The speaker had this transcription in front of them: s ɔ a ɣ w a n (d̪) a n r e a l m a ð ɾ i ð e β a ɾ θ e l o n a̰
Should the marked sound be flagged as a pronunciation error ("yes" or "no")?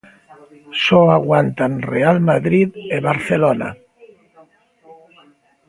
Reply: yes